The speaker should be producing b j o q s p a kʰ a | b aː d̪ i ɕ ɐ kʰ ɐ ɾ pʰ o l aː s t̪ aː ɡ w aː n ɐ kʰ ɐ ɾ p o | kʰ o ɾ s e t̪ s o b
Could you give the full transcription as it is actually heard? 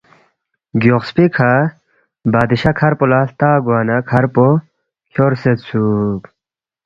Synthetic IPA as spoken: ɡ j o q s p i kʰ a | b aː d̪ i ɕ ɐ kʰ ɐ ɾ p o l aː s t̪ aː ɡ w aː n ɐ kʰ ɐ ɾ p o | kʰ o ɾ s e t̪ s u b